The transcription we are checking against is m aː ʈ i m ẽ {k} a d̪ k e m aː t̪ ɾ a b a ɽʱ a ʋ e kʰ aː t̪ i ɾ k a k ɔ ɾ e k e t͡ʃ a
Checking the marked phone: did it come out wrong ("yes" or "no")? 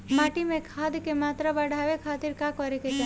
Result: yes